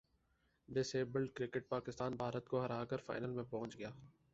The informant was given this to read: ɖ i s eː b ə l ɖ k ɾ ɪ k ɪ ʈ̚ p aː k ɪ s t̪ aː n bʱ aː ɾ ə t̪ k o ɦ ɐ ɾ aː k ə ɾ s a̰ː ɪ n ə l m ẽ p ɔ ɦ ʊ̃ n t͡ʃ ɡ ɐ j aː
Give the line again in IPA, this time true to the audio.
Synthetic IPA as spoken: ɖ ɪ s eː b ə l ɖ k ɾ ɪ k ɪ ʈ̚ p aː k ɪ s t̪ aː n bʱ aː ɾ ə t̪ k o ɦ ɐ ɾ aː k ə ɾ f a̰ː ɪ n ə l m ẽ p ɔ ɦ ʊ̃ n t͡ʃ ɡ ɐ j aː